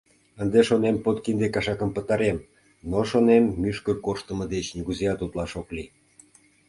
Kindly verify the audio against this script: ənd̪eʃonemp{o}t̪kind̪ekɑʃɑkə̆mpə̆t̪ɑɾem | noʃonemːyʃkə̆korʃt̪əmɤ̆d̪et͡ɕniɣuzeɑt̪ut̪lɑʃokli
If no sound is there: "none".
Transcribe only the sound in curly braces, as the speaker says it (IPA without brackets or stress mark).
o